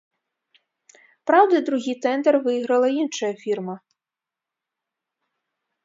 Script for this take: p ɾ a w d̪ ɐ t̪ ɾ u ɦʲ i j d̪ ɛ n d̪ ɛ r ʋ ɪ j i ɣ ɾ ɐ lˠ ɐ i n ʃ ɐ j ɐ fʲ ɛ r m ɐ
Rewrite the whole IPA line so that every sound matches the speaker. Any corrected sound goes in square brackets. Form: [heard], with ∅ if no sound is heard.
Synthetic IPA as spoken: p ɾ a w d̪ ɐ [d̪] ɾ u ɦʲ i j [t̪] ɛ n d̪ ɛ r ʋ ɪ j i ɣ ɾ ɐ lˠ ɐ i n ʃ ɐ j ɐ fʲ [i] r m ɐ